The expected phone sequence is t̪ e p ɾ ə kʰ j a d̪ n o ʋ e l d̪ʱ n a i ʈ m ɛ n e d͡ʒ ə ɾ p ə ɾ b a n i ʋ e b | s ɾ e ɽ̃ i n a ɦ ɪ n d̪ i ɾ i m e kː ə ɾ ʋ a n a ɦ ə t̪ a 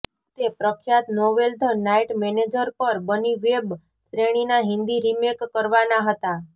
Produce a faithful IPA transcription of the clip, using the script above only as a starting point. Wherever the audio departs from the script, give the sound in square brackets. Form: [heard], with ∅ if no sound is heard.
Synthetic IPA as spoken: t̪ e p ɾ ə kʰ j a [t̪] n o ʋ e l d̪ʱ n a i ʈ m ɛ n e d͡ʒ ə ɾ p ə ɾ b [ə] n i ʋ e b | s ɾ e ɽ̃ i n a ɦ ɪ n d̪ i ɾ i m e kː ə ɾ ʋ a n a ɦ ə t̪ a